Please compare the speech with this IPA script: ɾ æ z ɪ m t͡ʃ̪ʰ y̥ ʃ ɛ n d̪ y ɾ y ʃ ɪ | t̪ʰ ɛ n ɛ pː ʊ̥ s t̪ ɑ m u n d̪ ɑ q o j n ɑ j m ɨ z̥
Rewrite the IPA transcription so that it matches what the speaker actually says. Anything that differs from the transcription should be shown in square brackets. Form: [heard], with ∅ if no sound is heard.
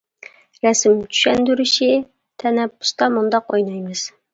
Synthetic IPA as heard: ɾ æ [s] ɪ m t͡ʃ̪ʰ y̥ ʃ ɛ n d̪ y ɾ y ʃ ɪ | t̪ʰ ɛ n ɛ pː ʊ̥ s t̪ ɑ m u n d̪ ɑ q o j n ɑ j m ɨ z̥